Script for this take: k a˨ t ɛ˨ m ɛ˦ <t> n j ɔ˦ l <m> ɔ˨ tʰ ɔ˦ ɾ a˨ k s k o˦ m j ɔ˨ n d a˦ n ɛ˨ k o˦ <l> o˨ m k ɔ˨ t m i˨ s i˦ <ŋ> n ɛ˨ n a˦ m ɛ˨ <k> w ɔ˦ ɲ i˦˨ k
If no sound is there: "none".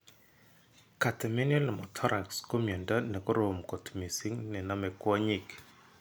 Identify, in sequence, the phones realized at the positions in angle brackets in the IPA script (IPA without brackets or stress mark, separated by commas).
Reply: none, m, ɾ, ŋ, k